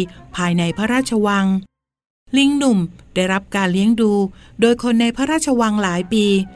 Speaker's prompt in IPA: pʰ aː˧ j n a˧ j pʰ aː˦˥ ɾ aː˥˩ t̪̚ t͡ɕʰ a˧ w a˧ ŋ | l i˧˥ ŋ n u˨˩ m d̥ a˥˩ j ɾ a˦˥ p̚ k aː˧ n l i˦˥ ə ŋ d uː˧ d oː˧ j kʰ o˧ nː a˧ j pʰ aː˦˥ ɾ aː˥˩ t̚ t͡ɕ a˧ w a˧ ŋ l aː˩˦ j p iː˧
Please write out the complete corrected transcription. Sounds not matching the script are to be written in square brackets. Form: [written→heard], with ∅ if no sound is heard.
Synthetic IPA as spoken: pʰ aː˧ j n a˧ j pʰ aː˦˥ ɾ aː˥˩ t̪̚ t͡ɕʰ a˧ w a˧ ŋ | l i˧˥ ŋ n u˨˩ m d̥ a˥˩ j ɾ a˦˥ p̚ k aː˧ n l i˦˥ ə ŋ d uː˧ d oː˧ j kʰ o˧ nː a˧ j pʰ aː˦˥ ɾ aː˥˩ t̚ [t͡ɕ→t͡ɕʰ] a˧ w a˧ ŋ l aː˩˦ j p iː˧